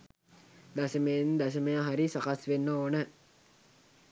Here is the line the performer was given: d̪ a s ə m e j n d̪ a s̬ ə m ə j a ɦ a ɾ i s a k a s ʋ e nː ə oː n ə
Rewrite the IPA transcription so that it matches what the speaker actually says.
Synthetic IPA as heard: d̪ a s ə m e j n d̪ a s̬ ə m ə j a ɦ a ɾ i s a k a s ʋ e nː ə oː n ə